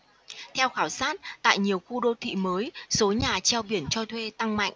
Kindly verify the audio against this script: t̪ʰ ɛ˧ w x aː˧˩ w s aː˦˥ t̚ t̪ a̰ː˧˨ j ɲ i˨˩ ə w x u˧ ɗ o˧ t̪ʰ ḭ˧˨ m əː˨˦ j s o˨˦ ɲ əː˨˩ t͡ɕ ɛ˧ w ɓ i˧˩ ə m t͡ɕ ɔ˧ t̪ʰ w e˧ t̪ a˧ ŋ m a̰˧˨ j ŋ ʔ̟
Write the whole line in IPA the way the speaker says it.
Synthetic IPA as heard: t̪ʰ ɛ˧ w x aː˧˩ w s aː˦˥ t̚ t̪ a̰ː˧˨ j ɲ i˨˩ ə w x u˧ ɗ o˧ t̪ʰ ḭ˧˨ m əː˨˦ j s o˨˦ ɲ aː˨˩ t͡ɕ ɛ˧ w ɓ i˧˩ ə n t͡ɕ ɔ˧ t̪ʰ w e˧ t̪ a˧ ŋ m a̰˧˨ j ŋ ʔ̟